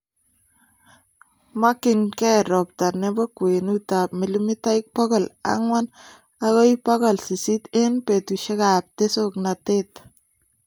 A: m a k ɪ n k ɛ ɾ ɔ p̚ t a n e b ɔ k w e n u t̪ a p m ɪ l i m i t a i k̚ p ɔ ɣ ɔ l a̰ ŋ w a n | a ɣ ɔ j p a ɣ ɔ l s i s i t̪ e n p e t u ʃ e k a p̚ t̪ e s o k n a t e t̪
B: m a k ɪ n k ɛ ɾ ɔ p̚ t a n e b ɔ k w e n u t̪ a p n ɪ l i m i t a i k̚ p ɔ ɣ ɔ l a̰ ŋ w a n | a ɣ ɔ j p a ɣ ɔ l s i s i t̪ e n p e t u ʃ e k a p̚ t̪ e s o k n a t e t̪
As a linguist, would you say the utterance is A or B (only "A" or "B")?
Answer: A